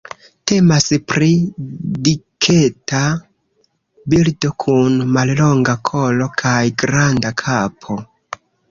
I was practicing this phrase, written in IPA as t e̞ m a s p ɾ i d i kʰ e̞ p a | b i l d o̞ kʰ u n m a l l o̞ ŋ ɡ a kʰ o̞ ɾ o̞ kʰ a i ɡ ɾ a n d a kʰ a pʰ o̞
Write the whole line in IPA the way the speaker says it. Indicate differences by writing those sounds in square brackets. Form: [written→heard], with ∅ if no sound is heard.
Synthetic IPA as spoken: t e̞ m a s p ɾ i d i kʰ e̞ [p→t] a | b i l d o̞ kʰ u n m a l l o̞ ŋ ɡ a kʰ o̞ [ɾ→l] o̞ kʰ a [i→j] ɡ ɾ a n d a kʰ a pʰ o̞